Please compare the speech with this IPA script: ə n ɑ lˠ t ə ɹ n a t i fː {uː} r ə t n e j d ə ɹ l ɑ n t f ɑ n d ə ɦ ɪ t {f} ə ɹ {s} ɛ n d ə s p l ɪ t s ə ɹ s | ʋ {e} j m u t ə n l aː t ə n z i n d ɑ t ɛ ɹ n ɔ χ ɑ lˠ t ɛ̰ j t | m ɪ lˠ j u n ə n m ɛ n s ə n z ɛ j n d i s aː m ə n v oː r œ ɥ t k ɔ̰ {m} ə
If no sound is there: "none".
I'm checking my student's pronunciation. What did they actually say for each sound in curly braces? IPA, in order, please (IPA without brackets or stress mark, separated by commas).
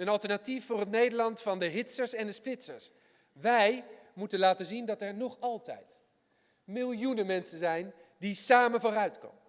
ʊː, s, s, ɛ, m